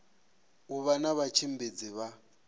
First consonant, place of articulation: labial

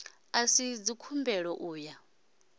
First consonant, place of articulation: alveolar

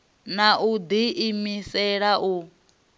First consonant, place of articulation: alveolar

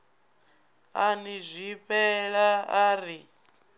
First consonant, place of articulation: alveolar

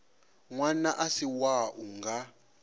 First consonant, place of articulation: velar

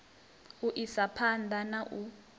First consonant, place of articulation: glottal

